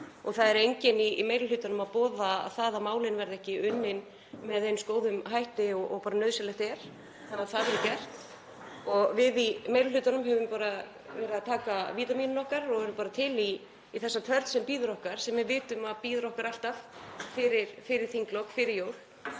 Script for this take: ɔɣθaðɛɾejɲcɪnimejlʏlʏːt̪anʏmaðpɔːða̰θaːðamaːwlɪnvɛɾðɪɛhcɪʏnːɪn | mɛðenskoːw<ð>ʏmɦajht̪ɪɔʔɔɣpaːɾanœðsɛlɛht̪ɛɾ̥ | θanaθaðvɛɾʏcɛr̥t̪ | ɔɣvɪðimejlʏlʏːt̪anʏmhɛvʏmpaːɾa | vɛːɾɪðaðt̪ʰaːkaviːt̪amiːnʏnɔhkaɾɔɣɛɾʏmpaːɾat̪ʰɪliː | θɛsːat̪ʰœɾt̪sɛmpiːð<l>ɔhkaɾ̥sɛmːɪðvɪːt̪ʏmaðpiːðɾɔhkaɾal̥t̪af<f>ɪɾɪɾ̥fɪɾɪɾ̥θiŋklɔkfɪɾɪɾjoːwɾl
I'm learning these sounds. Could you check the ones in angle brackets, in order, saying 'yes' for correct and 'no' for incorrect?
yes, no, yes

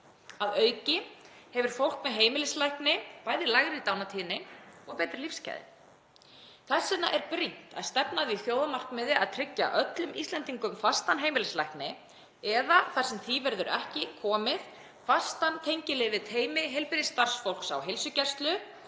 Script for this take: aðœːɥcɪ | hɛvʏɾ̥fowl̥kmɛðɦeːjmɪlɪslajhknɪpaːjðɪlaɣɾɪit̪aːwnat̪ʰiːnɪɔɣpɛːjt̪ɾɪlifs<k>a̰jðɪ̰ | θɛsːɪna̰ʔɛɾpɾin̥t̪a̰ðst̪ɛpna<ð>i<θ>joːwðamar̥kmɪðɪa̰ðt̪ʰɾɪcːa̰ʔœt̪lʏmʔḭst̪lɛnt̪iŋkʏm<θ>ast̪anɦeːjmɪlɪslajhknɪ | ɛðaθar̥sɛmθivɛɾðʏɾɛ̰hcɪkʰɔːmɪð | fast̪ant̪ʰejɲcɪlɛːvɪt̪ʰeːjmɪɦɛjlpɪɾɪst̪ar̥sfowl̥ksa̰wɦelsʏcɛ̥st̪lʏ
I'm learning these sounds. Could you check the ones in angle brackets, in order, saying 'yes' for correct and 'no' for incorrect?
no, yes, yes, no

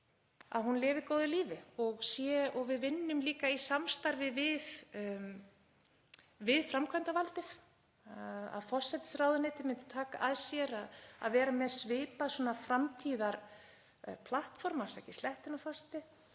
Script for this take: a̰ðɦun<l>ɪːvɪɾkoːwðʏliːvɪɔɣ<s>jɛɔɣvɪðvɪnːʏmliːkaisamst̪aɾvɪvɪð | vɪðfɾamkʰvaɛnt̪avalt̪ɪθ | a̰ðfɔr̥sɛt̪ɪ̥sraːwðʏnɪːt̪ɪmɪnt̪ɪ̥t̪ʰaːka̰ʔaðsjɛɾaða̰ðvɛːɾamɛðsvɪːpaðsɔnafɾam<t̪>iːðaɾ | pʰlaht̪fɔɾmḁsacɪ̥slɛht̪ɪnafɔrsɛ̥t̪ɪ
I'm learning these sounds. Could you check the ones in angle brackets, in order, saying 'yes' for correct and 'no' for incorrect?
yes, yes, no

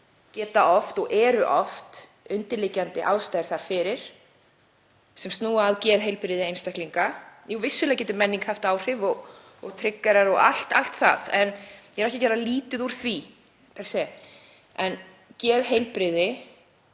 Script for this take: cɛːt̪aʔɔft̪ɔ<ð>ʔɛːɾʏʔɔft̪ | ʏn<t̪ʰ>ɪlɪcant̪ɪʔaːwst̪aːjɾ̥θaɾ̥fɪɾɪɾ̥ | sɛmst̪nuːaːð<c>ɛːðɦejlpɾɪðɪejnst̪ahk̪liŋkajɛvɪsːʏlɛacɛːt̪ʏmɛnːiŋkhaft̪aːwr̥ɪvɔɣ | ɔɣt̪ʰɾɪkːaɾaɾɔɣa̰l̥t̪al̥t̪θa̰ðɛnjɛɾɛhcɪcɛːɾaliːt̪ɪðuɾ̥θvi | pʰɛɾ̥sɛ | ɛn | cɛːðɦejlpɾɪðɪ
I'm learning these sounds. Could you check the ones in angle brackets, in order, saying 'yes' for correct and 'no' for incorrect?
no, no, yes

